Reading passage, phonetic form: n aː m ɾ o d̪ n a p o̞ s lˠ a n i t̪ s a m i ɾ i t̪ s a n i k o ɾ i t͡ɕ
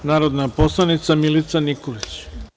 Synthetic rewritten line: n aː ɾ o d̪ n a p o̞ s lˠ a n i t̪ s a m i l i t̪ s a n i k o l i t͡ɕ